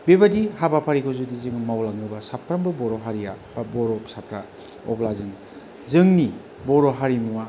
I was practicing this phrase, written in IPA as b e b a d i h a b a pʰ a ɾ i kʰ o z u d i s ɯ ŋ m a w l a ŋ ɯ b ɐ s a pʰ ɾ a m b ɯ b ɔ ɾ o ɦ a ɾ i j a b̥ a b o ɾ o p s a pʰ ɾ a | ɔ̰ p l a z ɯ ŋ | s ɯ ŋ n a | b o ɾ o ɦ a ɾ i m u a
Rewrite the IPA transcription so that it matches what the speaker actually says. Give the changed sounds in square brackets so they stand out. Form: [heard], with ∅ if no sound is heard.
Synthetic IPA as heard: b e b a d i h a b a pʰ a ɾ i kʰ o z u d i [z] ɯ ŋ m a w l a ŋ ɯ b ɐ s a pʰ ɾ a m b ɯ b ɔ ɾ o ɦ a ɾ i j a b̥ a b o ɾ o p s a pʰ ɾ a | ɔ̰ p l a z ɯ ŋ | [z] ɯ ŋ n [i] | b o ɾ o ɦ a ɾ i m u a